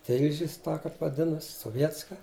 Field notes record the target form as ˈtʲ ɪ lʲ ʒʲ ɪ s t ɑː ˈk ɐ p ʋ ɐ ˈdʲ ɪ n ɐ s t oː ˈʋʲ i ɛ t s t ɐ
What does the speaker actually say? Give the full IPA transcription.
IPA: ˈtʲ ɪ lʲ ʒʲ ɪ s t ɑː ˈk ɐ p ʋ ɐ ˈdʲ ɪ n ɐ s s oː ˈʋʲ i ɛ t s k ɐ